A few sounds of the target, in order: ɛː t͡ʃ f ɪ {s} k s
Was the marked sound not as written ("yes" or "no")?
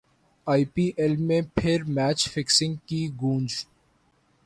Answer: yes